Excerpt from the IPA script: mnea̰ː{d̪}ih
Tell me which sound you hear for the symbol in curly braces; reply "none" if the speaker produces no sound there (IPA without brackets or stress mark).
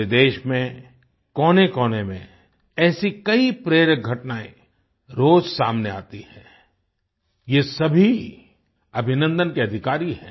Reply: t̪